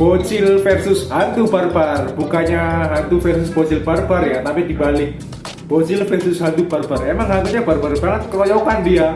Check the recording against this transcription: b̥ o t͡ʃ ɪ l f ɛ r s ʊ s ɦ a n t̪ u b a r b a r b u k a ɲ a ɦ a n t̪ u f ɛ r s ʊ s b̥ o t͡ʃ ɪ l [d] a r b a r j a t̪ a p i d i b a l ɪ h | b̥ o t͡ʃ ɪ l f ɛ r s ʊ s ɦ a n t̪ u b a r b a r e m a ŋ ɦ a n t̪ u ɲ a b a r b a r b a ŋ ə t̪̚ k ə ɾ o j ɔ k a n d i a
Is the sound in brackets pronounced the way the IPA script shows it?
no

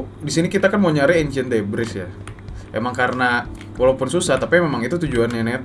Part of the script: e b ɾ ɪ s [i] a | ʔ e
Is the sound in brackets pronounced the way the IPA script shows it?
no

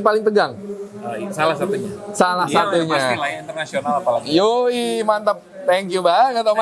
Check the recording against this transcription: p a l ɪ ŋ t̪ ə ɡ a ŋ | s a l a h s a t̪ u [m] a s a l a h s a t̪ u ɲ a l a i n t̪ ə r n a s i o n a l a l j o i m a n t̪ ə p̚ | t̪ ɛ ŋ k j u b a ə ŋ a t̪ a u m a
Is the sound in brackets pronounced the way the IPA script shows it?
no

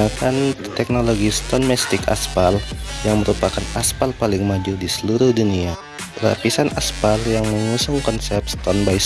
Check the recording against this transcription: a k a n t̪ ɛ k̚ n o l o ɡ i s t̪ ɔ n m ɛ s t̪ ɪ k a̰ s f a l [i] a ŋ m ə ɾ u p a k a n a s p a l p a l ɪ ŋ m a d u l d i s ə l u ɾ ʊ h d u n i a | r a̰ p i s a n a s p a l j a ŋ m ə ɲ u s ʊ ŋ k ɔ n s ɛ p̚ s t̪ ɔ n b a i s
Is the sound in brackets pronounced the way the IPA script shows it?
no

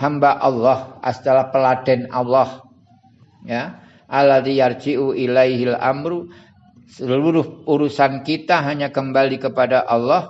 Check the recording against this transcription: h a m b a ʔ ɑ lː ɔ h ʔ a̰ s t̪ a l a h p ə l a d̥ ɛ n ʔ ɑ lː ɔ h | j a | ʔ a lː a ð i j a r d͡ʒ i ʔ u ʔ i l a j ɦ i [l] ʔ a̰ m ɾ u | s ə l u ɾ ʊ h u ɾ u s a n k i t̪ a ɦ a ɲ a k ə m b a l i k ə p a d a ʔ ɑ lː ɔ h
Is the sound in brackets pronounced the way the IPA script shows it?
yes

